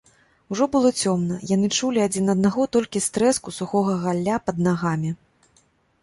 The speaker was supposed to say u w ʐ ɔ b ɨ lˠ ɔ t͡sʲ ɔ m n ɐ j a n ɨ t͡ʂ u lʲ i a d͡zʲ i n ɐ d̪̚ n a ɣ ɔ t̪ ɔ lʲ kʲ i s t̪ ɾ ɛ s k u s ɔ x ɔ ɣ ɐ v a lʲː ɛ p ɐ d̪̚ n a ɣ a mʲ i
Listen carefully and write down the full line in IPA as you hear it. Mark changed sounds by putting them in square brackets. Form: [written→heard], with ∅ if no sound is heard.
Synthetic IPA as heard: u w ʐ ɔ b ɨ lˠ ɔ t͡sʲ ɔ m n ɐ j a n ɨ t͡ʂ u lʲ i a d͡zʲ i n ɐ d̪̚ n a ɣ ɔ t̪ ɔ lʲ kʲ i s t̪ ɾ ɛ s k u s [ɔ→u] x ɔ ɣ ɐ [v→ɣ] a lʲː [ɛ→a] p ɐ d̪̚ n a ɣ a mʲ i